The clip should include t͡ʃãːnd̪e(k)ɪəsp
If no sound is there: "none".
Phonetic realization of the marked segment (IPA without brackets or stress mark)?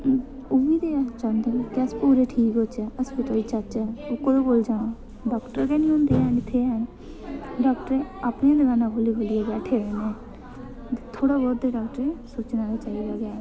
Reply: k